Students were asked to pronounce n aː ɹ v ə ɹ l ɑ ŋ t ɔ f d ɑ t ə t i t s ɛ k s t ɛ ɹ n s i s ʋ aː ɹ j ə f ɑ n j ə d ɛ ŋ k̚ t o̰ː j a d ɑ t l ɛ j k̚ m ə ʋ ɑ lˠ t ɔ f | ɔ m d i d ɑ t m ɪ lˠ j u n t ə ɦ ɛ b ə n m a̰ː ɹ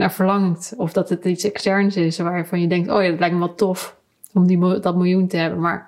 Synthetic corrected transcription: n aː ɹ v ə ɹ l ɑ ŋ t ɔ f d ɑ t ə t i t s ɛ k s t ɛ ɹ n s ɪ s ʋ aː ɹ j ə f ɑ n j ə d ɛ ŋ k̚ t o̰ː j a d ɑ t l ɛ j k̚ m ə ʋ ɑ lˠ t ɔ f | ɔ m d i d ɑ t m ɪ lˠ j u n t ə ɦ ɛ b ə n m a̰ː ɹ